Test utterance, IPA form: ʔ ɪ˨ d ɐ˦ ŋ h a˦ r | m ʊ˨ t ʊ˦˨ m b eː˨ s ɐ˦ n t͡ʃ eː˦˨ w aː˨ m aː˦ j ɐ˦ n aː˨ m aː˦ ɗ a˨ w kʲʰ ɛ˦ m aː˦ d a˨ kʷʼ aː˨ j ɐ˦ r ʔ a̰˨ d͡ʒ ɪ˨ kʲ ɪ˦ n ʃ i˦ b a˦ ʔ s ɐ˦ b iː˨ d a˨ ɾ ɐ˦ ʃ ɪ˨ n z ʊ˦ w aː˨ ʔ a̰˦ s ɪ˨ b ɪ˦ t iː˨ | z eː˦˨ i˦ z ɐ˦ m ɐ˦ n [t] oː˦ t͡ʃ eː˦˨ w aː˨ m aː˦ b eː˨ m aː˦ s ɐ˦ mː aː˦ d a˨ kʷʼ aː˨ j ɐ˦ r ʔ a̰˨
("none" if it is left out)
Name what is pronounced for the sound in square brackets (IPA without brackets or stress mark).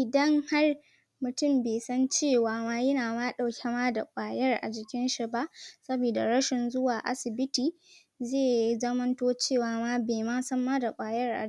t